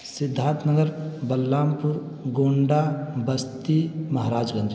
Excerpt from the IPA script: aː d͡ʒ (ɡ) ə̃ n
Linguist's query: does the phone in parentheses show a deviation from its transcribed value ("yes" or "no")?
no